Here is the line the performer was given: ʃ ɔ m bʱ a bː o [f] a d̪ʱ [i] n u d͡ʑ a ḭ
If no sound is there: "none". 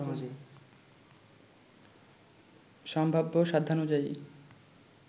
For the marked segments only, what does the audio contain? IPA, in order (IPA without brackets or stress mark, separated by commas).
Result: ʃ, a